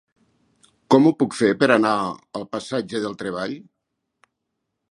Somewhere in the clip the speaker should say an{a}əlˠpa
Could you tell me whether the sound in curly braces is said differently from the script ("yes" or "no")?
no